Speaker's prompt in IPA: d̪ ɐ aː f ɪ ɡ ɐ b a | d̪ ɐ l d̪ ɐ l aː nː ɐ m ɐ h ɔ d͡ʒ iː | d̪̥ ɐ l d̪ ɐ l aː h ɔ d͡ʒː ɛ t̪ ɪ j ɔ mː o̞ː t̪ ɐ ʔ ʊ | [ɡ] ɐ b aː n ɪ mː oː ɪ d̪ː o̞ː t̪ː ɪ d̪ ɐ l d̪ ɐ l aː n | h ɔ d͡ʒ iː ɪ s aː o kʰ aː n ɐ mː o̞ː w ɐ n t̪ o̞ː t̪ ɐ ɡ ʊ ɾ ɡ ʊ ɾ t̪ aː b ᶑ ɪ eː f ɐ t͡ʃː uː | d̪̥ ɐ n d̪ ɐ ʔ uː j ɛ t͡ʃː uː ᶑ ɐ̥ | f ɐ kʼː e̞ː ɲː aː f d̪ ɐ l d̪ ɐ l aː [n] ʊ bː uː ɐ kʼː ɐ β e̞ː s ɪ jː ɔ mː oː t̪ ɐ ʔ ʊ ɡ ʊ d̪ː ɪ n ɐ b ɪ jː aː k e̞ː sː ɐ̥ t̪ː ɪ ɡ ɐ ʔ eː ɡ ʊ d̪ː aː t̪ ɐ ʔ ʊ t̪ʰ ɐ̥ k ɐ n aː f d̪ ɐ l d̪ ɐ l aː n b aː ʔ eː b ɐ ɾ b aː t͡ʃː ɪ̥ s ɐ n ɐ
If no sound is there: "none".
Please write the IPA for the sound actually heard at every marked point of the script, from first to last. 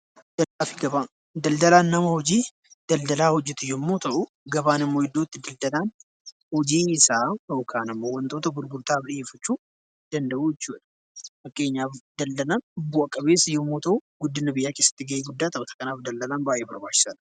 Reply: ɡ, n

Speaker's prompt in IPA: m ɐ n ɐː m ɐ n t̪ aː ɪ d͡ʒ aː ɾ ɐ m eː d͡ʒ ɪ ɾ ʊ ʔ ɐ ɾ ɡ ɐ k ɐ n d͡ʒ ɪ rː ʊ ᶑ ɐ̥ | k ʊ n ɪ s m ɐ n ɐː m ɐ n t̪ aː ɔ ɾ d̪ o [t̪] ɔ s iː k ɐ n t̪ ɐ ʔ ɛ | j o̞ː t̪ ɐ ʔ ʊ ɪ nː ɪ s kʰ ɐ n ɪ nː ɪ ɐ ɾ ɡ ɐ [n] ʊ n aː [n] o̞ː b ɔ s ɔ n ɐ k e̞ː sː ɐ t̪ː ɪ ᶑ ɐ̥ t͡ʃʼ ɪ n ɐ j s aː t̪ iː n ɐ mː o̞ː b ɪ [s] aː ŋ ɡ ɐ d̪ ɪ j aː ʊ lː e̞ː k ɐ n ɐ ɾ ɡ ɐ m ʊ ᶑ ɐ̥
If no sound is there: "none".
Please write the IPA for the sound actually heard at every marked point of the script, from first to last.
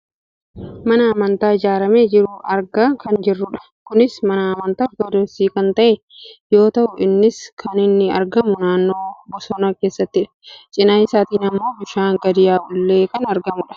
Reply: d̪, m, nː, ʃ

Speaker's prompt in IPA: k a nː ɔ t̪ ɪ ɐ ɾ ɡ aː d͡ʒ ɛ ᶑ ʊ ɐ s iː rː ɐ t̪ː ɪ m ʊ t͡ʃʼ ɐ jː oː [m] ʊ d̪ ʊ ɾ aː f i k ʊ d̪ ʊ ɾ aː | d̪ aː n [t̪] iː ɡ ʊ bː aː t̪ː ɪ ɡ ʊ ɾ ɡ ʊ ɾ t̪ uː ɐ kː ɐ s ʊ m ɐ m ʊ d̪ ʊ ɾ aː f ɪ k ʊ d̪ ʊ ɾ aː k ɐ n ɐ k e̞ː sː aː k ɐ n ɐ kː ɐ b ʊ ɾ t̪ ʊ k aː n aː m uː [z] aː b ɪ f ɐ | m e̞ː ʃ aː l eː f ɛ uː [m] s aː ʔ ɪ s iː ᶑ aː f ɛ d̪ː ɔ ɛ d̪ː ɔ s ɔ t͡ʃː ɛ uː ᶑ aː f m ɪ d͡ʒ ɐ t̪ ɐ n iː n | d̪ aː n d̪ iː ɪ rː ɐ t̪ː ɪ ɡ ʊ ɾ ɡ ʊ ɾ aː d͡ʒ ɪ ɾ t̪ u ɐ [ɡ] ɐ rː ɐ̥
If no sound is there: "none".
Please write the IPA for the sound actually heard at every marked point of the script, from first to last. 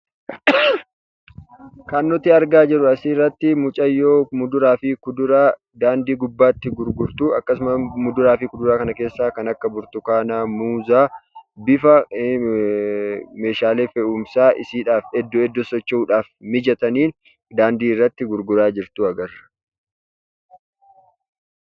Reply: m, d̪, z, m, ɡ

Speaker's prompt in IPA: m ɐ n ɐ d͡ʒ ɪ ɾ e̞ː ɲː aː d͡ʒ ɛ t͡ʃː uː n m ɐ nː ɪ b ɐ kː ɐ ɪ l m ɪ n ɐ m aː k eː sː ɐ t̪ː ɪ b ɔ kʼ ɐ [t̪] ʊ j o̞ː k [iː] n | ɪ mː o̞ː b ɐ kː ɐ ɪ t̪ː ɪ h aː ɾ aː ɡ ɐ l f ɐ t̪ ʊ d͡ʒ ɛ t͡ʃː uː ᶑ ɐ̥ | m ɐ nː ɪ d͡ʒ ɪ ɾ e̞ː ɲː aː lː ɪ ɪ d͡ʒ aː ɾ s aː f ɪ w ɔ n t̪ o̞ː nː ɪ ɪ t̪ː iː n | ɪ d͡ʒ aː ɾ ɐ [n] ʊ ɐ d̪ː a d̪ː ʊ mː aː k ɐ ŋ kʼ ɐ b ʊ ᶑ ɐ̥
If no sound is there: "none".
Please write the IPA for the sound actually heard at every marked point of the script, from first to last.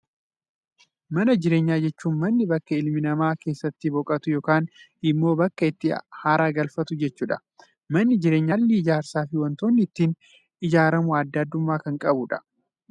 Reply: t̪, aː, m

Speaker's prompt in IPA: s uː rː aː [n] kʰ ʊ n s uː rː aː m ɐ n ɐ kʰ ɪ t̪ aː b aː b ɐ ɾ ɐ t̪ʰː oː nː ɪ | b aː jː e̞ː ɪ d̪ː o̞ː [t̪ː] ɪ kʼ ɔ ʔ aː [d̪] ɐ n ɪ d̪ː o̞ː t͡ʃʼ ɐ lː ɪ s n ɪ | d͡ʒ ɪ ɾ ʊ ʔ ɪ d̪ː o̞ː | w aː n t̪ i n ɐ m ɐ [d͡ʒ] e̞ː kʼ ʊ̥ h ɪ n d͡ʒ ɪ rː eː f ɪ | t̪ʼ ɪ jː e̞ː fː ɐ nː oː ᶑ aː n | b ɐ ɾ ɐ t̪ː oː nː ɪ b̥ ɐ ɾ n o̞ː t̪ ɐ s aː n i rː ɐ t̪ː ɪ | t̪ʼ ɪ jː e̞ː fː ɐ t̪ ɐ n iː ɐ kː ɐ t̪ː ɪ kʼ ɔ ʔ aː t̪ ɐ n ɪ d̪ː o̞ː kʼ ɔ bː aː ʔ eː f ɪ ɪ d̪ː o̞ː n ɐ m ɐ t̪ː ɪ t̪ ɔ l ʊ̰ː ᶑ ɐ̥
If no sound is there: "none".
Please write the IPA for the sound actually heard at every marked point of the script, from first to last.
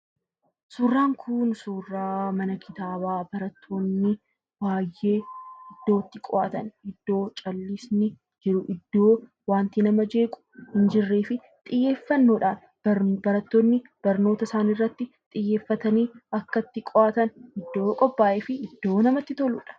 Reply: ŋ, t̪ː, t̪, d͡ʒ

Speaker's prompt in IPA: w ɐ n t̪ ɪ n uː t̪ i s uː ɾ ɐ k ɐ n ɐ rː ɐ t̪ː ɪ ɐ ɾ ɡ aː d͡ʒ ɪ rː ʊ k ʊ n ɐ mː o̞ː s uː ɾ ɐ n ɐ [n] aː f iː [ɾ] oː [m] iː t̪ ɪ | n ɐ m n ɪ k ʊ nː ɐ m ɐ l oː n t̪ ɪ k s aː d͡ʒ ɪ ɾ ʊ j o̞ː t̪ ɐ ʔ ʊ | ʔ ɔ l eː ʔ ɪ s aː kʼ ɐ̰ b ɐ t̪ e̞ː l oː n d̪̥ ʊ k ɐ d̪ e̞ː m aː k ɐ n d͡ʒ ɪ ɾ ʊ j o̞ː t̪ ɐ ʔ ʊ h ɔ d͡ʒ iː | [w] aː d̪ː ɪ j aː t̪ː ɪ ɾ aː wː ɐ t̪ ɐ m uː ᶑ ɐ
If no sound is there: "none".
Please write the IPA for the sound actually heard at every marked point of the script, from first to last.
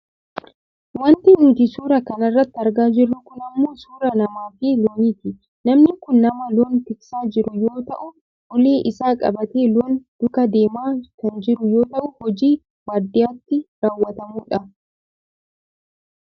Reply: m, l, n, w

